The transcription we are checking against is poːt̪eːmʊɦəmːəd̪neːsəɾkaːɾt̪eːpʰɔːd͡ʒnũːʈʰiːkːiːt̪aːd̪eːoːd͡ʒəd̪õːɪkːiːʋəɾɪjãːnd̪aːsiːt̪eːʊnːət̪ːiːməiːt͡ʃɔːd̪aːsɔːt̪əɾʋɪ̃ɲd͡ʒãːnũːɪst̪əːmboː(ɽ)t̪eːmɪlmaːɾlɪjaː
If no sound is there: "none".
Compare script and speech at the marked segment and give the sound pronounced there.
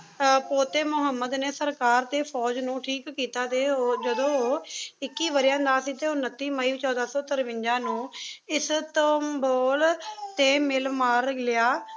l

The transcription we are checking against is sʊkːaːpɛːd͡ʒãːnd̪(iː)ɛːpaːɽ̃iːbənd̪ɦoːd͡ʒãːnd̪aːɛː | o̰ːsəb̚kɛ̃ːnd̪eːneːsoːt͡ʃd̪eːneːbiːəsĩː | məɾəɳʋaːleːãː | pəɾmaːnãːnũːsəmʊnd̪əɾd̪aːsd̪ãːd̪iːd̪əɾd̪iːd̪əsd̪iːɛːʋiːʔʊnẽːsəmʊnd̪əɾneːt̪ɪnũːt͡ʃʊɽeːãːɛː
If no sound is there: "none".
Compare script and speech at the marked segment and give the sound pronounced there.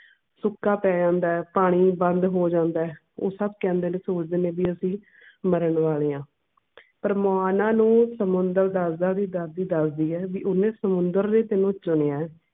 aː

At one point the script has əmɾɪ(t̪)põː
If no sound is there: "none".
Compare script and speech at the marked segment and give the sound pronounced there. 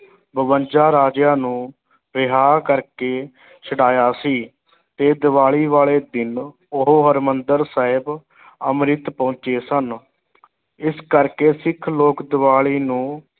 t̪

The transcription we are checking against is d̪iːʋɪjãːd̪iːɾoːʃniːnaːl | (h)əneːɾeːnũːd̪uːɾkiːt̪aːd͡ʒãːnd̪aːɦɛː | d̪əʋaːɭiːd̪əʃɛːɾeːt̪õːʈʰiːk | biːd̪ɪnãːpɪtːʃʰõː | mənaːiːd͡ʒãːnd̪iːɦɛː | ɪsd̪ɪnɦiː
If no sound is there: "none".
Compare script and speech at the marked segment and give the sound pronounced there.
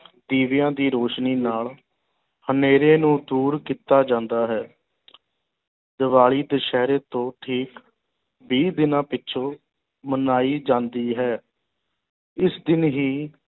h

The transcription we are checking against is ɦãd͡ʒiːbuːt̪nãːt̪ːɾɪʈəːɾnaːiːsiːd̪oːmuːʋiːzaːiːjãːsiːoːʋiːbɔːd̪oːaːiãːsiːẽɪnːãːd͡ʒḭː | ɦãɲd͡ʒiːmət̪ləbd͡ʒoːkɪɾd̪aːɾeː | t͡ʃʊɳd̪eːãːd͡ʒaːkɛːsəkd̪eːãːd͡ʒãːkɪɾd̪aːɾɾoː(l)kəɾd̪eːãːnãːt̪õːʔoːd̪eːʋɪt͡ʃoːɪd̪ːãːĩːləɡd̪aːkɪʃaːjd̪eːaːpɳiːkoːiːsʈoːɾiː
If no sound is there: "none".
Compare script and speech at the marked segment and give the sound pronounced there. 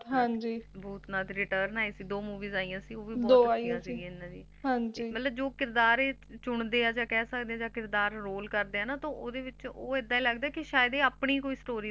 l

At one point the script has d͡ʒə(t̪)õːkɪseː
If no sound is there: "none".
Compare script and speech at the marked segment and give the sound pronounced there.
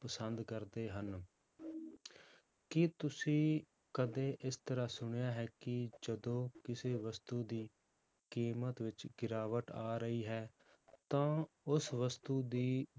d̪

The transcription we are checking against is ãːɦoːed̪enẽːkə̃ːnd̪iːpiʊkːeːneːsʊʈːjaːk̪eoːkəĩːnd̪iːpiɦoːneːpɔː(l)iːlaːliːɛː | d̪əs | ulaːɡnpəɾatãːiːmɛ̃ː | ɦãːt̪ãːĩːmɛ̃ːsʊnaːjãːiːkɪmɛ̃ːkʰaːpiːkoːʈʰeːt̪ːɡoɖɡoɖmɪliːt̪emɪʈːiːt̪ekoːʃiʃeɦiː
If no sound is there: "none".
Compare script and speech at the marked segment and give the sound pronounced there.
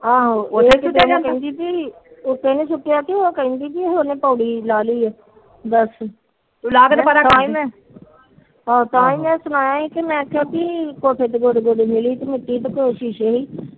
ɽ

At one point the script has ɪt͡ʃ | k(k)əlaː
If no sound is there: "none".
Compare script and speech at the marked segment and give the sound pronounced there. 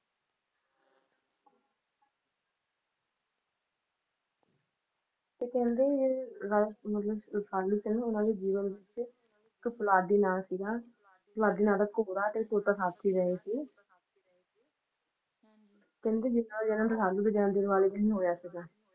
p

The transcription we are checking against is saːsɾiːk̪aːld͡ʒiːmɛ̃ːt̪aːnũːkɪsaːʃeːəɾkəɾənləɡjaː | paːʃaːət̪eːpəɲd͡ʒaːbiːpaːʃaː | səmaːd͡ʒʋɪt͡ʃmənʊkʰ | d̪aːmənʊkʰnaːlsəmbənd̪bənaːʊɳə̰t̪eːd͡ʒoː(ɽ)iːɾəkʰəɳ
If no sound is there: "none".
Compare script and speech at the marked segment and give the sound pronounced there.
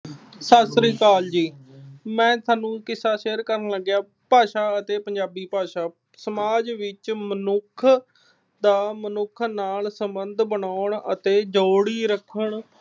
ɽ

